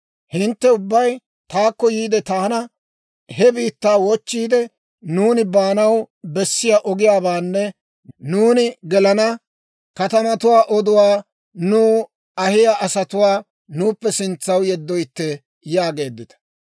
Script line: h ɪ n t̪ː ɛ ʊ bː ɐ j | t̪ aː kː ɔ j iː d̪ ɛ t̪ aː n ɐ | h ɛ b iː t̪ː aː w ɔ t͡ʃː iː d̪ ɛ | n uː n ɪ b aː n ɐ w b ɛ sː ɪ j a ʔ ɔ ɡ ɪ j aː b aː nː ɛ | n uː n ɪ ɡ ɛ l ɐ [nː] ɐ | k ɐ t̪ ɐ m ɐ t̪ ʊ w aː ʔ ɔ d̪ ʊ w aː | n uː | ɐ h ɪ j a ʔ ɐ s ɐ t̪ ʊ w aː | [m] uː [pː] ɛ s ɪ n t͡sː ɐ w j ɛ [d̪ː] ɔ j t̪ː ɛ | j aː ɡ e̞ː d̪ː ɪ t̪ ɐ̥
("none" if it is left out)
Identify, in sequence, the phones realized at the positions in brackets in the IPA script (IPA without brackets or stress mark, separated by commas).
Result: n, n, pː, d̪ː